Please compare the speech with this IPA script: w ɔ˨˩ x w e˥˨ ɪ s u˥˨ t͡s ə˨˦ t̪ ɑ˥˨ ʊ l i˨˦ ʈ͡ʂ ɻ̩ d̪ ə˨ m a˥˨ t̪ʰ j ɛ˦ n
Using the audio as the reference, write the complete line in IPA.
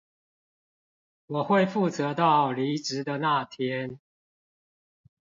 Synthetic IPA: w ɔ˨˩ x w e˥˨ ɪ f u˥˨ t͡s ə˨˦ t̪ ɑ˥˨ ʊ l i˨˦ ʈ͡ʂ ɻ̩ d̪ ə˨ n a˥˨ t̪ʰ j ɛ˦ n